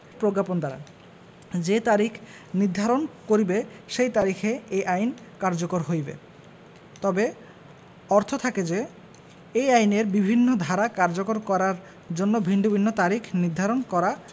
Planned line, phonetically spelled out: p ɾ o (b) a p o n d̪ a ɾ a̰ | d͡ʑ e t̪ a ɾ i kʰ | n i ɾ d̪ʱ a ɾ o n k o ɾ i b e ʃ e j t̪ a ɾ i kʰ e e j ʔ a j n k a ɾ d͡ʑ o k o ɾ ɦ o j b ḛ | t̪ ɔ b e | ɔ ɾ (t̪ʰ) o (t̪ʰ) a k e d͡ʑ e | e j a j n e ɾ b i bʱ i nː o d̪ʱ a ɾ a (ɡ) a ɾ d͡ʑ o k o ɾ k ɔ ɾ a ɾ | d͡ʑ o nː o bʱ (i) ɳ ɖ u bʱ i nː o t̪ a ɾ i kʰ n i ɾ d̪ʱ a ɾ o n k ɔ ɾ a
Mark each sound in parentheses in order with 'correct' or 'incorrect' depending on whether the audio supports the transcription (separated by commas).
incorrect, correct, correct, incorrect, correct